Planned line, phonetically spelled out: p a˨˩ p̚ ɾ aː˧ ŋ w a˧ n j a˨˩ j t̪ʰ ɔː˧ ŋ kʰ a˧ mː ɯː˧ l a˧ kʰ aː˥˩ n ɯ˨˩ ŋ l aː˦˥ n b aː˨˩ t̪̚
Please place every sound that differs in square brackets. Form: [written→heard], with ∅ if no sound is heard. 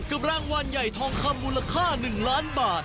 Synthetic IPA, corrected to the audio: [p→k] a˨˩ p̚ ɾ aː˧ ŋ w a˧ n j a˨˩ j t̪ʰ ɔː˧ ŋ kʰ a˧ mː [ɯː˧→uː˧] l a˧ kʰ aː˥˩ n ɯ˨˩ ŋ l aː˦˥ n b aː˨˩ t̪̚